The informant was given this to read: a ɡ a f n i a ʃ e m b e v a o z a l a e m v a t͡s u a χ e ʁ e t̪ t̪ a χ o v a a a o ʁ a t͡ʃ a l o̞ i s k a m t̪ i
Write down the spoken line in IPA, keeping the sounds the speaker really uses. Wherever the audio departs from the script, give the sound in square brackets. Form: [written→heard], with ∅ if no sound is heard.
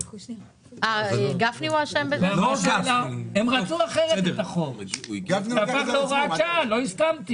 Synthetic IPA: a ɡ a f n i a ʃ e m b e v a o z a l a e m [v→ʁ] a t͡s u a χ e ʁ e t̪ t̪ a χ o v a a a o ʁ a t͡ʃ a l o̞ i s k a m t̪ i

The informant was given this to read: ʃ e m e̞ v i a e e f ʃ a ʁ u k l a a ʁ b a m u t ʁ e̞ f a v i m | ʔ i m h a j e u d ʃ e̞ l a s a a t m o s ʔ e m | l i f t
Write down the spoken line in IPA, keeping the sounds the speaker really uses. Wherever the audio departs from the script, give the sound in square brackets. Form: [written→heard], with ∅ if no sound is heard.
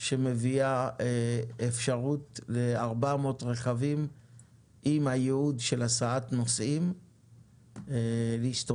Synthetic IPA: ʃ e m e̞ v i a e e f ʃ a ʁ u [k→t] l [a→e] a ʁ b a m [u→o] t ʁ e̞ [f→χ] a v i m | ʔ i m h a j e u d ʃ e̞ l a s a a t [m→n] o s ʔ [e→i] m | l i [f→ʃ] t

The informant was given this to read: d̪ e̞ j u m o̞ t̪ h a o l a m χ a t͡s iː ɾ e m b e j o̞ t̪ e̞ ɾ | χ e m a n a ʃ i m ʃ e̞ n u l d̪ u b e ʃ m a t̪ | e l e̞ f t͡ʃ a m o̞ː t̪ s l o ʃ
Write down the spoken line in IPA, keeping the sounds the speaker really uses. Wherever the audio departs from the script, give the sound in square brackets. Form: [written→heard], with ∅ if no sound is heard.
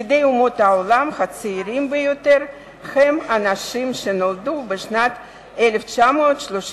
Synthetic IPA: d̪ e̞ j u m o̞ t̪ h a o l a m χ a t͡s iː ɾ [e→i] m b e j o̞ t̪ e̞ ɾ | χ e m a n a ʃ i m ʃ e̞ n [u→o] l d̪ u b e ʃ [m→n] a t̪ | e l e̞ f t͡ʃ a m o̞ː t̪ [s→ʃ] l o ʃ

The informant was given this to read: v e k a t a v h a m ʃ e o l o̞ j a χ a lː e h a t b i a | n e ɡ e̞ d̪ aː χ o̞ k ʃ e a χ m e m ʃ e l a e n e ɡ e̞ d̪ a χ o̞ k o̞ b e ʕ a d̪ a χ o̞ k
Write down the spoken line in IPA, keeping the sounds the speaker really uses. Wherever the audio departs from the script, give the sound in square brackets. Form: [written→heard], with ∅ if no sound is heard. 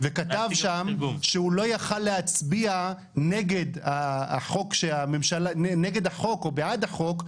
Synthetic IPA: v e k a t a v [h→ʃ] a m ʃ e [o→u] l o̞ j a χ a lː e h a [t→t͡s] b i a | n e ɡ e̞ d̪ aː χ o̞ k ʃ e a [χ→∅] m e m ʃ [e→a] l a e n e ɡ e̞ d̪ a χ o̞ k o̞ b e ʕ a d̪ a χ o̞ k

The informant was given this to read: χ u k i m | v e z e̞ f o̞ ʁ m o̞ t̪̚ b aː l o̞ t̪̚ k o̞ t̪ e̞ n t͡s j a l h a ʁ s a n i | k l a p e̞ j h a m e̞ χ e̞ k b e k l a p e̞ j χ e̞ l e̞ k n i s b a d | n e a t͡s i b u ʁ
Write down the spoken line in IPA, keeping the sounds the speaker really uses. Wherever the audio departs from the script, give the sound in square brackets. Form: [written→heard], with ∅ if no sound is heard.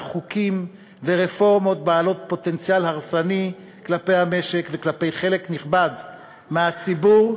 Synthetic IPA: χ u k i m | v e [z→ʁ] e̞ f o̞ ʁ m o̞ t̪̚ b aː l o̞ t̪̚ [k→p] o̞ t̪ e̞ n t͡s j a l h a ʁ s a n i | k l a p e̞ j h a m e̞ [χ→ʃ] e̞ k [b→v] e k l a p e̞ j χ e̞ l e̞ k n i [s→χ] b a d | [n→m] e a t͡s i b u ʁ

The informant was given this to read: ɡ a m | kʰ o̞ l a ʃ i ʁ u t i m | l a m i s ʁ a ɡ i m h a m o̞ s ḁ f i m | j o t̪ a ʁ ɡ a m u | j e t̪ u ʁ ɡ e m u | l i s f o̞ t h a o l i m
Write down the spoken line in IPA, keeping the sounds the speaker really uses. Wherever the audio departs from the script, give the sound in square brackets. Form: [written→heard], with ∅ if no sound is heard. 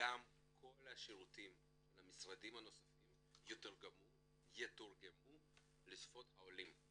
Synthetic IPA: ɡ a m | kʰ o̞ l a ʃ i ʁ u t i m | l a m i s ʁ a [ɡ→d] i m h a [m→n] o̞ s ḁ f i m | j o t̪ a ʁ ɡ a m u | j e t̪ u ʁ ɡ e m u | l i s f o̞ t h a o l i m

